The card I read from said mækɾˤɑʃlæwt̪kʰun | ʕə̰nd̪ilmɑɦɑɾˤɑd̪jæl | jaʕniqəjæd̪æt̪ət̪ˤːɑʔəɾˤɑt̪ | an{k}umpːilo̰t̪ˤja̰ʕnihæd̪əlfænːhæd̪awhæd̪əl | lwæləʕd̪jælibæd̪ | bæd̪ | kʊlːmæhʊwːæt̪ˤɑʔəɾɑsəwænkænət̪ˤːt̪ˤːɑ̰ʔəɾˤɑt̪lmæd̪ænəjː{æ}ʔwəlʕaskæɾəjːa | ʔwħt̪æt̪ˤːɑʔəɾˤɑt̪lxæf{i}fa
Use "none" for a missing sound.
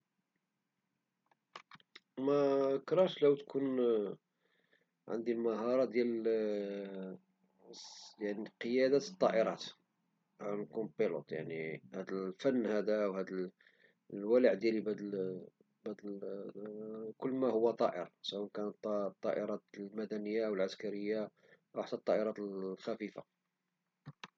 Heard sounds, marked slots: k, a, i

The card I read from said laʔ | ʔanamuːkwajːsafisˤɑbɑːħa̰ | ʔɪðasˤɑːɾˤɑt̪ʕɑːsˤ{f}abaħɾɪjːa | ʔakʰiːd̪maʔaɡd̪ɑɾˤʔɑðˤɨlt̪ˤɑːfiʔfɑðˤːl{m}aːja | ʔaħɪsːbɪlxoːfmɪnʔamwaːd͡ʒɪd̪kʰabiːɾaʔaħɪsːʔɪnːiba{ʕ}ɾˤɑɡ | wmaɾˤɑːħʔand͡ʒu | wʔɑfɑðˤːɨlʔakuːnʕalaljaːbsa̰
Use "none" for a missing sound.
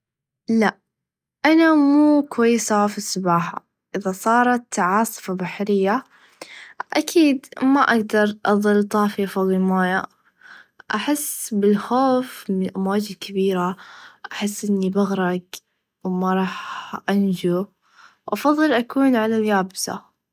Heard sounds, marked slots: f, m, ɣ

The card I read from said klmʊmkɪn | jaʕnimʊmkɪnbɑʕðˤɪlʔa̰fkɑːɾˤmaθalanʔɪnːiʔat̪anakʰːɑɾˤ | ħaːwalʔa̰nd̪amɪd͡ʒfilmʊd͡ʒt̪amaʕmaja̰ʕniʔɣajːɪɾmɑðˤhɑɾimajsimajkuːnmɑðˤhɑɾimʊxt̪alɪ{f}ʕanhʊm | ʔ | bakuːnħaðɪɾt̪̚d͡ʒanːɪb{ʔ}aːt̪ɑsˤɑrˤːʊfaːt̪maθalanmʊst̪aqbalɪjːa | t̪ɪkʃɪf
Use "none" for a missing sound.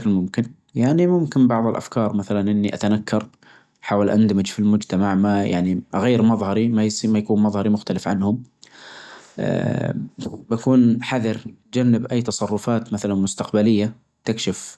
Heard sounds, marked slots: f, ʔ

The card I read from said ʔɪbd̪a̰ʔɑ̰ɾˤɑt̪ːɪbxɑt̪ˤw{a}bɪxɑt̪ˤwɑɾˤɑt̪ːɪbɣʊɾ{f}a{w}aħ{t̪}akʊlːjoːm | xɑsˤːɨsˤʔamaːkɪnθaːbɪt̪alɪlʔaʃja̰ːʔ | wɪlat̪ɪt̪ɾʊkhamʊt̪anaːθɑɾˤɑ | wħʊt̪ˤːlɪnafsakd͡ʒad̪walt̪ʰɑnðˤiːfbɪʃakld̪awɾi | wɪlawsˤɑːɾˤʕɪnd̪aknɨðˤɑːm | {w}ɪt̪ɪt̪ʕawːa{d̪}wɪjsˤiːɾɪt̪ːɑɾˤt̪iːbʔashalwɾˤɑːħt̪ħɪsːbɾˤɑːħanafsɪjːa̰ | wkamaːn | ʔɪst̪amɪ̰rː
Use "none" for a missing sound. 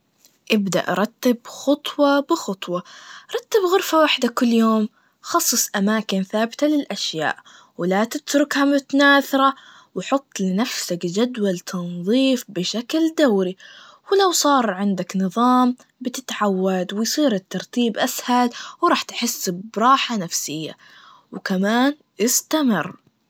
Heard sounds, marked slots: ɑ, f, w, d̪, b, d̪

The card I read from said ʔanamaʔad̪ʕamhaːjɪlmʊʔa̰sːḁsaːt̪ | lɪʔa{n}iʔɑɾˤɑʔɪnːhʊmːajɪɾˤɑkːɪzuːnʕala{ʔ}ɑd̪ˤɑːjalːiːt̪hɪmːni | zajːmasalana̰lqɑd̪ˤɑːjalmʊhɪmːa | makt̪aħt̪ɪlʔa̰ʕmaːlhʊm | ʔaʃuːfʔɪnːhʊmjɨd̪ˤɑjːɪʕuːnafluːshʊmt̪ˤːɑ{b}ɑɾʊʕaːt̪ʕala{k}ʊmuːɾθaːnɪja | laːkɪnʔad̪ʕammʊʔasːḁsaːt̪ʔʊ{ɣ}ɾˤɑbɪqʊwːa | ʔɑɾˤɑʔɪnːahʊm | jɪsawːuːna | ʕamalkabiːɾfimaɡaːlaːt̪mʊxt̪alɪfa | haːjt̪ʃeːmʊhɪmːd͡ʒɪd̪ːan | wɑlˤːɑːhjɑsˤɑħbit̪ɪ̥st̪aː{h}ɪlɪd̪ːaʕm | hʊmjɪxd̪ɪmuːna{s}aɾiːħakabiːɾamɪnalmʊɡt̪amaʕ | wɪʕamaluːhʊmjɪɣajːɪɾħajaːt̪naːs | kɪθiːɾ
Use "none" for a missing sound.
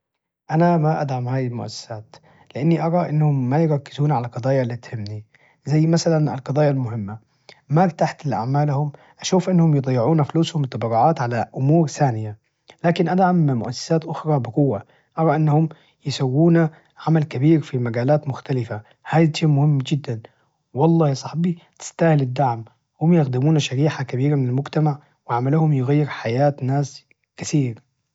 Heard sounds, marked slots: nː, q, b, ʔ, x, h, ʃ

